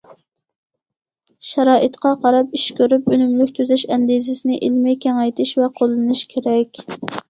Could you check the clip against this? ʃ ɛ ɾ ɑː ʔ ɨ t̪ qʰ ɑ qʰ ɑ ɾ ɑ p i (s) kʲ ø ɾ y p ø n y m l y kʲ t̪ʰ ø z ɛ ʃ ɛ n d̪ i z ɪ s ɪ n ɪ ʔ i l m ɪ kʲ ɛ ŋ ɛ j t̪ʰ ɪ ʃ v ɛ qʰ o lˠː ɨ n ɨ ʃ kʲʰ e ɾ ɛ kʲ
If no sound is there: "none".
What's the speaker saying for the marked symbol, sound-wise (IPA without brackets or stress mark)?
ʃ